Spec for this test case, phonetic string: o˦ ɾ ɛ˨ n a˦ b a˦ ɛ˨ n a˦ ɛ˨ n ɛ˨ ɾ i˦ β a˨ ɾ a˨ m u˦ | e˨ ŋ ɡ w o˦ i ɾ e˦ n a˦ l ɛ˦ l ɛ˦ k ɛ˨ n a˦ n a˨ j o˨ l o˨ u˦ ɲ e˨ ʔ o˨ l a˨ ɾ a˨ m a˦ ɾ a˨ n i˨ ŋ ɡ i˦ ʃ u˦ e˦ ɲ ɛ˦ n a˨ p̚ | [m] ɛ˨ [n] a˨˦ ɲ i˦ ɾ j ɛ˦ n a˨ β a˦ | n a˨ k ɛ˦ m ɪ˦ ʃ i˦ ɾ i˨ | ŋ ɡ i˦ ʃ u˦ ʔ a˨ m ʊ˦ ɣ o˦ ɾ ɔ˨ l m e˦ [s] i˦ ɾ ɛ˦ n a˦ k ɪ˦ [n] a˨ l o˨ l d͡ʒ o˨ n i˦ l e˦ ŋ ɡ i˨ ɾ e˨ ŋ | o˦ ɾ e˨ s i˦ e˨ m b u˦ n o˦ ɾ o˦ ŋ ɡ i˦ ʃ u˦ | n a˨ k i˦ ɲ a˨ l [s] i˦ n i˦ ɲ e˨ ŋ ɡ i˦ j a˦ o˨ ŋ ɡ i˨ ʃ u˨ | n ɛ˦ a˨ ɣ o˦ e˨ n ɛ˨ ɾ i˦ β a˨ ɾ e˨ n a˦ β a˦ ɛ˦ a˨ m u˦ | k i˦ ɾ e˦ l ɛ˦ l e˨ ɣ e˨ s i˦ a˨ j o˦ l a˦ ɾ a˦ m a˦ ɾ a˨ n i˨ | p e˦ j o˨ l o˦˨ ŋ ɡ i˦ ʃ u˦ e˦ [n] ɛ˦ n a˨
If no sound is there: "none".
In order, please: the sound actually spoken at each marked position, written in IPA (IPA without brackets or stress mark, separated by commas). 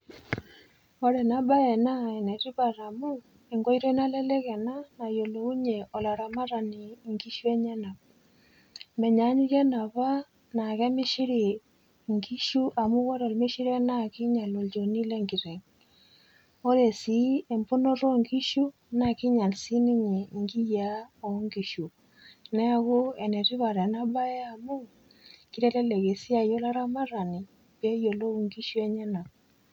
m, ɲ, ʃ, ɲ, s, ɲ